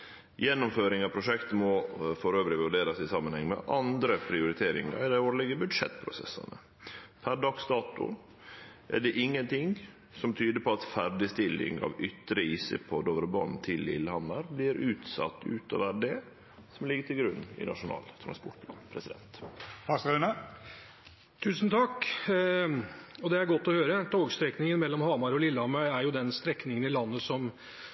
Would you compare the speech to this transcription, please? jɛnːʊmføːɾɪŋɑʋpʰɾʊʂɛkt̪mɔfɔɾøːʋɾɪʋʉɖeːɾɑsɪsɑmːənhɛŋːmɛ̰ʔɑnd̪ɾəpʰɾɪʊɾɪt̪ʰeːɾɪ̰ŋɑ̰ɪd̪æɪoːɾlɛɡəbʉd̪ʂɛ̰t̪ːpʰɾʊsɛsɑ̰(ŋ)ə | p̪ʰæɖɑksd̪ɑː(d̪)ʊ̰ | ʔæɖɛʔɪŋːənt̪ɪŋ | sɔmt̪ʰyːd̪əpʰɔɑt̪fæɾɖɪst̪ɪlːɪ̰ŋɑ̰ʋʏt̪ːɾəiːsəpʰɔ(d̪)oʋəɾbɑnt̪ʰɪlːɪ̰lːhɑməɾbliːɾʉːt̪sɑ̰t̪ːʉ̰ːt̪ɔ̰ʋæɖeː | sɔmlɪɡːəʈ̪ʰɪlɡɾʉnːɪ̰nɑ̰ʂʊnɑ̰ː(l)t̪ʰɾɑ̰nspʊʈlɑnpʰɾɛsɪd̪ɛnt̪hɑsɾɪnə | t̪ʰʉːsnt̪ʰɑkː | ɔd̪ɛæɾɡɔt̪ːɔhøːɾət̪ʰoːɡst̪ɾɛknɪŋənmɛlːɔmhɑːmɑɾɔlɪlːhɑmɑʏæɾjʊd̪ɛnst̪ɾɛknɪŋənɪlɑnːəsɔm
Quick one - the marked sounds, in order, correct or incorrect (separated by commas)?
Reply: incorrect, incorrect, correct, correct